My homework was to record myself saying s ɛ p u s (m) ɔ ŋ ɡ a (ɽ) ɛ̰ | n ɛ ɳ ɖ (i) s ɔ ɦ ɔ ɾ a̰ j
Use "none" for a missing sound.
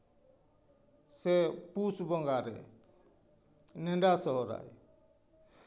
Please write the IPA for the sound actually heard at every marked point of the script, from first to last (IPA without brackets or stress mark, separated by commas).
b, ɾ, a